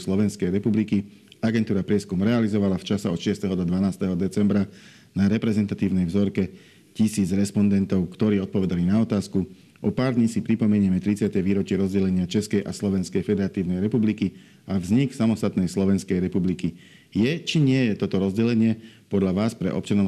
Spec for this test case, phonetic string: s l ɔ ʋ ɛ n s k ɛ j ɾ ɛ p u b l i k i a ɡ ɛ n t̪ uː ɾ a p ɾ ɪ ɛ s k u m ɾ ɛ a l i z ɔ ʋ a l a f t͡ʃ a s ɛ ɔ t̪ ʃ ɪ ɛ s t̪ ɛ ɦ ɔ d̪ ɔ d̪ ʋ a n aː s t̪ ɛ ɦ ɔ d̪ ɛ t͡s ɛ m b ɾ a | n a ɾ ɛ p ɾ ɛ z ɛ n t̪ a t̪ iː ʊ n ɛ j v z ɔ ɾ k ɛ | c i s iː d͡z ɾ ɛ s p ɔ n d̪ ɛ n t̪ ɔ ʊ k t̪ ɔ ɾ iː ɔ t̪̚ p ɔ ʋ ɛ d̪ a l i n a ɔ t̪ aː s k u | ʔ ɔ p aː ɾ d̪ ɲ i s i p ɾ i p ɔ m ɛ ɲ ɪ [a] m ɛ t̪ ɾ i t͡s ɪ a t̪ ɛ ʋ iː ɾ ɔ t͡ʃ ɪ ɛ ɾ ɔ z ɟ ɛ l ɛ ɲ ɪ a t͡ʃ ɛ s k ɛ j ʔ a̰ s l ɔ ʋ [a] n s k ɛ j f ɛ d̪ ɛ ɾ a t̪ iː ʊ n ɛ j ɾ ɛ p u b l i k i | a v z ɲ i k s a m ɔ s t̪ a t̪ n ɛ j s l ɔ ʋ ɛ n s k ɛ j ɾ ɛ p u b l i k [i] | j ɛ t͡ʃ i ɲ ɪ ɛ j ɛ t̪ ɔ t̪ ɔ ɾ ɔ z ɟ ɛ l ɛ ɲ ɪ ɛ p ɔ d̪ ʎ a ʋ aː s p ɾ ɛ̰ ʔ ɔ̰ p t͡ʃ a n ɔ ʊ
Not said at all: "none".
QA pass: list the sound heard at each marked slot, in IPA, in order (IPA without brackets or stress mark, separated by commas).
ɛ, ɛ, i